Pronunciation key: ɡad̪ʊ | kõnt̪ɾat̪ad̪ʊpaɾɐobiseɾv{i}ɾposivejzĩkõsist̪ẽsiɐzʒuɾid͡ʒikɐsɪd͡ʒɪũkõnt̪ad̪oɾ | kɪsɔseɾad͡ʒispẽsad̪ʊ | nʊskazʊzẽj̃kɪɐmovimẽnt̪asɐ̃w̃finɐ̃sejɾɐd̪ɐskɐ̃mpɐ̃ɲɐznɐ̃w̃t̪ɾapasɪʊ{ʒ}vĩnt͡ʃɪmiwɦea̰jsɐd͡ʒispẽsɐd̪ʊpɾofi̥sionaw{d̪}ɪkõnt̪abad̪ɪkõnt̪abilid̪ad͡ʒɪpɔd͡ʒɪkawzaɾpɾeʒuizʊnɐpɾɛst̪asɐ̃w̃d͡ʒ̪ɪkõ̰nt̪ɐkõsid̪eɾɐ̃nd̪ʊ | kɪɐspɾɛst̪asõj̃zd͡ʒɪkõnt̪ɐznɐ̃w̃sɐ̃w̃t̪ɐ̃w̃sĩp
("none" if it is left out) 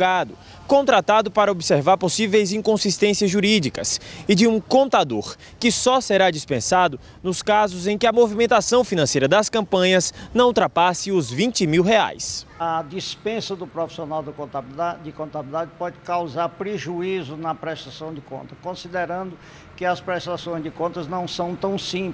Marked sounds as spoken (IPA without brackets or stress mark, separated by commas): a, z, d̪